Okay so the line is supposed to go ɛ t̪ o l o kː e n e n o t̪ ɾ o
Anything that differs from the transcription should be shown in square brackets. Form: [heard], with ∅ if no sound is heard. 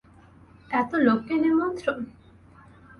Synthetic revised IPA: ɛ t̪ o l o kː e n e [m] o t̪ ɾ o